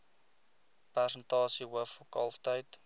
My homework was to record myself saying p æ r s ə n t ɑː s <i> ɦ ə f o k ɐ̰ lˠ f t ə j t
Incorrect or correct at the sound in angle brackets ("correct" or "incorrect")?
correct